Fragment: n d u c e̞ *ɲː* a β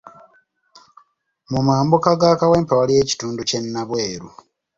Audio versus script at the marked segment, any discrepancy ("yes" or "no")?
yes